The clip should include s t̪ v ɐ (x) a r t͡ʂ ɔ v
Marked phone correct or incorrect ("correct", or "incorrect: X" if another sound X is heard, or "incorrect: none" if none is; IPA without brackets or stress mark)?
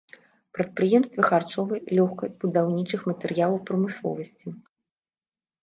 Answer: correct